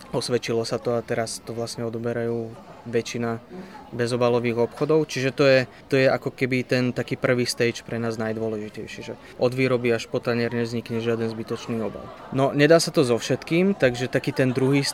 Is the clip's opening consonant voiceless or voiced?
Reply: voiceless